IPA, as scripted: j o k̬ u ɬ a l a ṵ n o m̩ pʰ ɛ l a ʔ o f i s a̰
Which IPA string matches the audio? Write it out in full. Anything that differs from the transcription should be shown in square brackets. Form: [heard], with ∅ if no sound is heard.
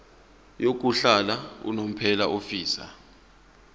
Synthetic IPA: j o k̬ u ɬ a l a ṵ n o m̩ pʰ ɛ l a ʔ o f [iː] s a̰